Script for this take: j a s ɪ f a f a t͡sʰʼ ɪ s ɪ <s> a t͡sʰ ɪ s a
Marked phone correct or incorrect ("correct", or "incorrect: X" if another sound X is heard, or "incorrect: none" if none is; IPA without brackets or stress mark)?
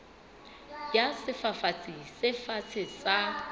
incorrect: f